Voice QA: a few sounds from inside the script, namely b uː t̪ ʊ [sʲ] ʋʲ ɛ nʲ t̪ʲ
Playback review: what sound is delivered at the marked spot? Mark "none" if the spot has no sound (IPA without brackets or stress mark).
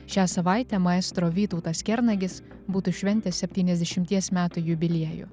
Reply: ʃʲ